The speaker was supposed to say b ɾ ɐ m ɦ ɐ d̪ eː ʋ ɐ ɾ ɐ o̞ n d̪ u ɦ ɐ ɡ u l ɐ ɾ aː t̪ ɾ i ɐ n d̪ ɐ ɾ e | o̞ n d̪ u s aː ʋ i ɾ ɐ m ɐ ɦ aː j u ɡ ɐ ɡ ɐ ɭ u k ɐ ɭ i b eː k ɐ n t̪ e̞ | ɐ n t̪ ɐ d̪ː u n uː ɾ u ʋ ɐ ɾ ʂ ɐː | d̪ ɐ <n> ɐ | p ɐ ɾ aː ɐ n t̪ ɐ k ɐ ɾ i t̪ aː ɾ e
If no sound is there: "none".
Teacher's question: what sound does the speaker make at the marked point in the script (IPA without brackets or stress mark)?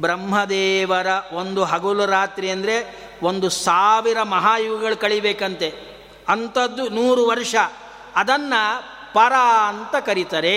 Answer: nː